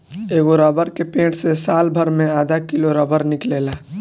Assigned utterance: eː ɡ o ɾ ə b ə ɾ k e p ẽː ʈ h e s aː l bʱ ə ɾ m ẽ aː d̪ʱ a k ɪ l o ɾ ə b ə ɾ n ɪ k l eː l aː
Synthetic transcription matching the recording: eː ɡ o ɾ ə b ə ɾ k e p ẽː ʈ s e s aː l bʱ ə ɾ m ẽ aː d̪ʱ a k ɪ l o ɾ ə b ə ɾ n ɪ k l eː l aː